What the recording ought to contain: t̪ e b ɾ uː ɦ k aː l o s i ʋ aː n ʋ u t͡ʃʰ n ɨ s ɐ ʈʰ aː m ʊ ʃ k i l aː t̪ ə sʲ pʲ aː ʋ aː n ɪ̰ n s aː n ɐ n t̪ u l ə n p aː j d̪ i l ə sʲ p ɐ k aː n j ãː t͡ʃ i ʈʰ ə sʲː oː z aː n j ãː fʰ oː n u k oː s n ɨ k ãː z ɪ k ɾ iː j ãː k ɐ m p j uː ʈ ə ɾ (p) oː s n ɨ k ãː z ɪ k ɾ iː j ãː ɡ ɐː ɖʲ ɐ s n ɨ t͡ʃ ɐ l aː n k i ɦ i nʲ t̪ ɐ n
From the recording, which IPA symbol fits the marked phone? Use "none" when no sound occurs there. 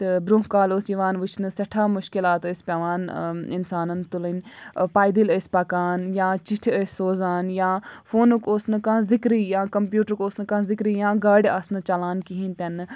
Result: k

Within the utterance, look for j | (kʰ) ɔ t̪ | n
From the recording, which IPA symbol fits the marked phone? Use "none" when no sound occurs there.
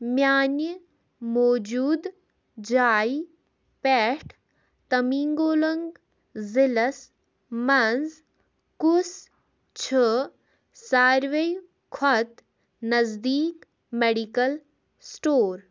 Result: kʰ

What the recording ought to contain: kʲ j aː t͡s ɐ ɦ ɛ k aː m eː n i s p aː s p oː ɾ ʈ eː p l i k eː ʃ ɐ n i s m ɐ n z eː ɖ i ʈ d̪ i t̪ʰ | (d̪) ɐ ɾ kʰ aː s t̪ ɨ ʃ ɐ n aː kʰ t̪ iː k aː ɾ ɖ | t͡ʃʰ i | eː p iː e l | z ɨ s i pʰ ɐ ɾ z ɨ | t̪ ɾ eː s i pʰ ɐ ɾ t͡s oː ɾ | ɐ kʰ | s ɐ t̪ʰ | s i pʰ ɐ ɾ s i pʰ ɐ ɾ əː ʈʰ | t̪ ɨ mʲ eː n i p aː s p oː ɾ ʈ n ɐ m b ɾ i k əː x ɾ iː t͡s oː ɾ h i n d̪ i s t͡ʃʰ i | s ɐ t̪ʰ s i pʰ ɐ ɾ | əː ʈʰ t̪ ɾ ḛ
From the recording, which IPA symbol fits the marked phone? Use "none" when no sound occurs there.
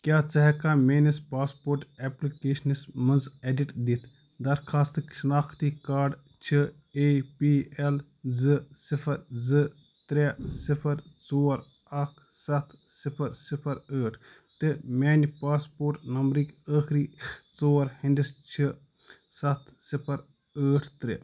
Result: d̪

